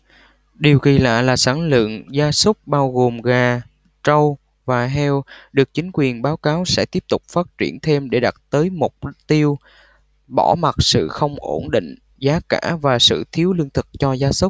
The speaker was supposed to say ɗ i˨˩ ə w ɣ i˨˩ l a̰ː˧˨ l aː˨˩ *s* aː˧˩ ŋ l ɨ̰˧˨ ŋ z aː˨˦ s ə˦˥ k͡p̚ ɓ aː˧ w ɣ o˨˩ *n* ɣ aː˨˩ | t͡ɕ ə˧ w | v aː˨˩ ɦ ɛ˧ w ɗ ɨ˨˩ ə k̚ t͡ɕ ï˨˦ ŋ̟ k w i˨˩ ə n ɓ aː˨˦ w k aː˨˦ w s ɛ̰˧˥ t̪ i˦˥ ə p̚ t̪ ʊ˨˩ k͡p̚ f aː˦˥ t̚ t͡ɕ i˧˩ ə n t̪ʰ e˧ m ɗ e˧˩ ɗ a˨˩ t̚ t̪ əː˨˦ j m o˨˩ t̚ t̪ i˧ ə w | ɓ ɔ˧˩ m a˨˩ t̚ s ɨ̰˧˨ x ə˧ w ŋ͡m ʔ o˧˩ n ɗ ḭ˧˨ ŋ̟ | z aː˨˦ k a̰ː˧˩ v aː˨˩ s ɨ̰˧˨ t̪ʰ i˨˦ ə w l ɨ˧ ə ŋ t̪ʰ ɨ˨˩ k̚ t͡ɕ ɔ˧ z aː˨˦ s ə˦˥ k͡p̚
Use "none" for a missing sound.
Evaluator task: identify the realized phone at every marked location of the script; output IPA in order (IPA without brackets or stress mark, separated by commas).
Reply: s, m